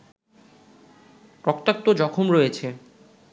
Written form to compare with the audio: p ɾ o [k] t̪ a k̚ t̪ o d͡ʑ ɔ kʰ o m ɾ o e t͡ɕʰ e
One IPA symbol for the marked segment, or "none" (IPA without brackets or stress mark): k